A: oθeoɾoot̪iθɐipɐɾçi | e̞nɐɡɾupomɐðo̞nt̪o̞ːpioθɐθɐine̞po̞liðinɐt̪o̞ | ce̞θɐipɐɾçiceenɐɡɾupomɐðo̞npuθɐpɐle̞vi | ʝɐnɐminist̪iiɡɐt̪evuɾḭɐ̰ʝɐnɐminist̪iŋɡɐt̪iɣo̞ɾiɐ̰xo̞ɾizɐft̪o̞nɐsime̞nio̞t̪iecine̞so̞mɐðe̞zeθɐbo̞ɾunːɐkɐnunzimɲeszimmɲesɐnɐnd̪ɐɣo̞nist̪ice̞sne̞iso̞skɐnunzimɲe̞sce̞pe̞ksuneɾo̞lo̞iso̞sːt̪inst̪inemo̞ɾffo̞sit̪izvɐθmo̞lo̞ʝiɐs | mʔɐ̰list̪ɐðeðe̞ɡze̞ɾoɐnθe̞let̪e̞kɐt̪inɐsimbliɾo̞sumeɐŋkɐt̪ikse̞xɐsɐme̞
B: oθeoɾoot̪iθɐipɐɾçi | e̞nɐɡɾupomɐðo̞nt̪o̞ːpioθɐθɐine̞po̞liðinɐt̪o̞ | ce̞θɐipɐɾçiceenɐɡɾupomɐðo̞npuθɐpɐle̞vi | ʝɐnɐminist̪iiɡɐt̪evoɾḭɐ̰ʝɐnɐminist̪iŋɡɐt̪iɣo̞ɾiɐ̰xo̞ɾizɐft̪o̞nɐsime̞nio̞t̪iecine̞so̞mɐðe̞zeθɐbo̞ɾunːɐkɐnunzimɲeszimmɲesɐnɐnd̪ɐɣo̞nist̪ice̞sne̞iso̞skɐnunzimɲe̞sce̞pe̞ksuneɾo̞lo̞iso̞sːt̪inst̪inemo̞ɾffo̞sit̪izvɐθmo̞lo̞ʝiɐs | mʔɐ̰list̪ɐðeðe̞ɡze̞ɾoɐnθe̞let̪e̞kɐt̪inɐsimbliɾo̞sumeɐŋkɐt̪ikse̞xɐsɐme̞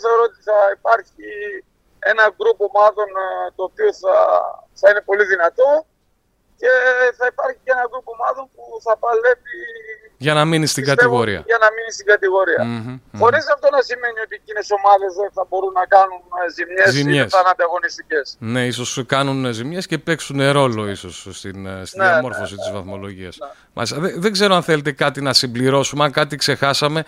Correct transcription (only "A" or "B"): B